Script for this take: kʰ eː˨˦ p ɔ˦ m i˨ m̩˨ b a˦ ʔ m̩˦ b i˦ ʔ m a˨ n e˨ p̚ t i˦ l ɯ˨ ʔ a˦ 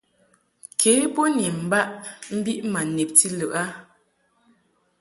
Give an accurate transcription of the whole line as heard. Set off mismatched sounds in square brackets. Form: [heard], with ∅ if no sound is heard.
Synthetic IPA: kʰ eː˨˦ p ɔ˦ [n] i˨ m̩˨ b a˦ ʔ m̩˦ b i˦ ʔ m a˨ n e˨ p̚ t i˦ l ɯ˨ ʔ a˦